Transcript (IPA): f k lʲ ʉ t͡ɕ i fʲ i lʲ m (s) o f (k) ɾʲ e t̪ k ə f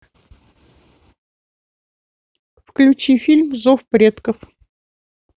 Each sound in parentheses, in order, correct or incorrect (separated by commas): incorrect, incorrect